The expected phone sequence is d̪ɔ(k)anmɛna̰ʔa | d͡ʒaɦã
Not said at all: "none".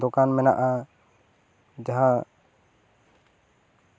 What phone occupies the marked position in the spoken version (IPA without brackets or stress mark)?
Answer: k